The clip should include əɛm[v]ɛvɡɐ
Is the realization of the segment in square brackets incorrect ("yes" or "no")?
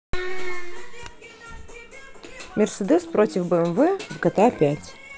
no